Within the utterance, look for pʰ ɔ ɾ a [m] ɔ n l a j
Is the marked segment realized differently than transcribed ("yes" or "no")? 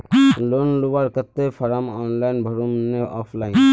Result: no